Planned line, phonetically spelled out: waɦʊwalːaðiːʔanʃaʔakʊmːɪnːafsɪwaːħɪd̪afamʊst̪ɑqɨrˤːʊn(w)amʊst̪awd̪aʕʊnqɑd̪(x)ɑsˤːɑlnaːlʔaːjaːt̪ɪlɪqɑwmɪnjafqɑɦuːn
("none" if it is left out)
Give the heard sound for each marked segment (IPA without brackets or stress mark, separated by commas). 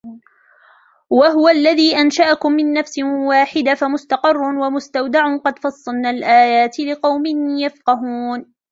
w, f